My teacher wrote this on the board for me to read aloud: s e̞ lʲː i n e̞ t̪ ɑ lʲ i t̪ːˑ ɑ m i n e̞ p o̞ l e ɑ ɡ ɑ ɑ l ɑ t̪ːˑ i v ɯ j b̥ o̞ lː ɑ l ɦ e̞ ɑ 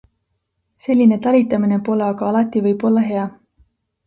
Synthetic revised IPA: s e̞ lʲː i n e̞ t̪ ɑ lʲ i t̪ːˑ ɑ m i n e̞ p o̞ l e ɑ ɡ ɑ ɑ l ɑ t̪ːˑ i v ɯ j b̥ o̞ lː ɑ ɦ e̞ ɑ